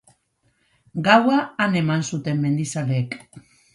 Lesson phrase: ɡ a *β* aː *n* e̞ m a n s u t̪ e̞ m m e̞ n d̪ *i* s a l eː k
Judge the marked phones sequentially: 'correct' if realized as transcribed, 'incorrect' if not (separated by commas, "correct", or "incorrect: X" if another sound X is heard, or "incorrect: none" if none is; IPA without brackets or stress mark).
incorrect: w, correct, correct